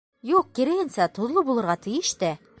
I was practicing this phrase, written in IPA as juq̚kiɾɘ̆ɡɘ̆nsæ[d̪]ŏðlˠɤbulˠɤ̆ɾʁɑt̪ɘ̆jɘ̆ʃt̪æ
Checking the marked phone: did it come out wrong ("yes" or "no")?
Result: yes